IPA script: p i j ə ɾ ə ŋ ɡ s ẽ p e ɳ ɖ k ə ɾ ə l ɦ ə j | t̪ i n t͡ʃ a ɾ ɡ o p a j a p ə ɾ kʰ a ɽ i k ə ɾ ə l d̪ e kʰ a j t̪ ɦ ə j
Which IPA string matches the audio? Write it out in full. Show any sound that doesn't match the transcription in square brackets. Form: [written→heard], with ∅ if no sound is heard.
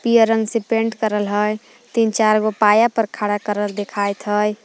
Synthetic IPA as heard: p i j ə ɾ ə ŋ ɡ s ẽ p e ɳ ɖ k ə ɾ ə l ɦ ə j | t̪ i n t͡ʃ a ɾ ɡ o p a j a p ə ɾ kʰ a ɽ [i→a] k ə ɾ ə l d̪ e kʰ a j t̪ ɦ ə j